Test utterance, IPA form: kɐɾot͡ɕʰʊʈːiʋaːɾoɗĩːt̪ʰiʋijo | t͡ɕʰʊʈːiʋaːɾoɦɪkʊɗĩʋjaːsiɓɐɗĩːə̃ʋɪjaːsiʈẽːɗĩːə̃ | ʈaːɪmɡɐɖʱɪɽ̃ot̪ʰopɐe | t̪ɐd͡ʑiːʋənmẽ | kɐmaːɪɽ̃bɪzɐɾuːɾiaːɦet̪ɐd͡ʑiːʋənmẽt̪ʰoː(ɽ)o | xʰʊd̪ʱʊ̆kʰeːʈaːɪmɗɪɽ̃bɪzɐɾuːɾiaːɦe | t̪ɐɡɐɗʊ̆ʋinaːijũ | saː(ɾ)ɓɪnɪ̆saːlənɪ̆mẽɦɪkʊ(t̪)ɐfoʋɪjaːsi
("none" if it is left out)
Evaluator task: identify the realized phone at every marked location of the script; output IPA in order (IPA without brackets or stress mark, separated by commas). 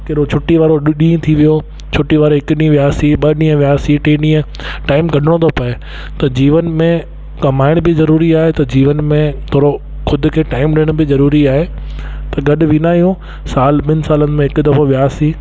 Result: ɾ, l, d̪